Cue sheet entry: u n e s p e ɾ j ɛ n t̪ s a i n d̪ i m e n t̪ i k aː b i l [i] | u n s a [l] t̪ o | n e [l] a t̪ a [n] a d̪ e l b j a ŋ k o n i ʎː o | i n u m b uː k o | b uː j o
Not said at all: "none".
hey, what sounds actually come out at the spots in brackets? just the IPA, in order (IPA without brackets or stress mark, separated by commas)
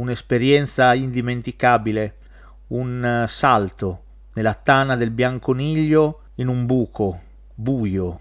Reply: e, l, l, n